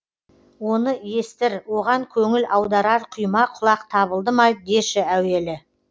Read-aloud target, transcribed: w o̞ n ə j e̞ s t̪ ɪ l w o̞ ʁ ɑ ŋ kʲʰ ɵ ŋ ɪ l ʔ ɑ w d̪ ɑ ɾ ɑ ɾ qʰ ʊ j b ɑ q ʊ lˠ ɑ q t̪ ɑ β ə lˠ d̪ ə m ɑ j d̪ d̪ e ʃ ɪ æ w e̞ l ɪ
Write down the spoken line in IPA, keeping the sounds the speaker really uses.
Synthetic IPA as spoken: w o̞ n ə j e̞ s t̪ ɪ ɾ w o̞ ʁ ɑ ŋ kʲʰ ɵ ŋ ɪ l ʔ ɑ w d̪ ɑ ɾ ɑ ɾ qʰ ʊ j m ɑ qʰ ʊ lˠ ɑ q t̪ʰ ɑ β ə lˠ d̪ ə m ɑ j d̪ d̪ e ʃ ɪ æ w e̞ l ɪ